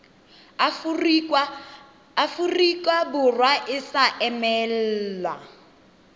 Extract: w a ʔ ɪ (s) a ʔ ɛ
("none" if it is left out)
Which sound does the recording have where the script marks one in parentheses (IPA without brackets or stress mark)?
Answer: s